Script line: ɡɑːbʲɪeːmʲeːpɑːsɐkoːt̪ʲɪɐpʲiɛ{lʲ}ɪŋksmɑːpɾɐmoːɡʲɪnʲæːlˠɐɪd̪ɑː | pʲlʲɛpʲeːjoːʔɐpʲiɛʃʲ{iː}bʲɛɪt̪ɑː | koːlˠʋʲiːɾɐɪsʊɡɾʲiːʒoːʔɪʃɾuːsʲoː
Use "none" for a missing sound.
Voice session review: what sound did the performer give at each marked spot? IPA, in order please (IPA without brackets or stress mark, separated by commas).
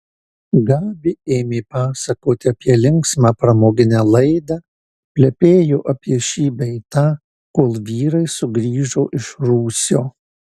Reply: lʲ, iː